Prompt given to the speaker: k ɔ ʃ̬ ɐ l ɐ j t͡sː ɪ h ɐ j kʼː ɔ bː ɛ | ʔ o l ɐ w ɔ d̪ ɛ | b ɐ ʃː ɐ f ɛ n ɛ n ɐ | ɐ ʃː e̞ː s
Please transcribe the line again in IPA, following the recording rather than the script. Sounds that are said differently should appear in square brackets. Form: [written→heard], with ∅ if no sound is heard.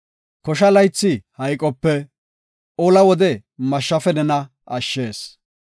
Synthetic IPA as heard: k ɔ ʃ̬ ɐ l ɐ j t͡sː ɪ h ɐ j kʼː ɔ [bː→pː] ɛ | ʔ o l ɐ w ɔ d̪ ɛ | [b→m] ɐ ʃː ɐ f ɛ n ɛ n ɐ | ɐ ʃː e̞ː s